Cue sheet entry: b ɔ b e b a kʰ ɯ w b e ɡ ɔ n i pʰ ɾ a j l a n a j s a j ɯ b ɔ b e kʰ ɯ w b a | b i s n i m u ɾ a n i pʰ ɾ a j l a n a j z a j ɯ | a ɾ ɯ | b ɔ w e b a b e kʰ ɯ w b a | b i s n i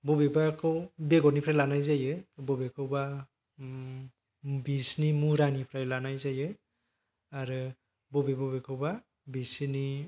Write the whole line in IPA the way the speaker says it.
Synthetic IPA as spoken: b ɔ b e b a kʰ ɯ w b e ɡ ɔ n i pʰ ɾ a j l a n a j z a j ɯ b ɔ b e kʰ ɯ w b a | b i s n i m u ɾ a n i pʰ ɾ a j l a n a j z a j ɯ | a ɾ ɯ | b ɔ b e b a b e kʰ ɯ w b a | b i s n i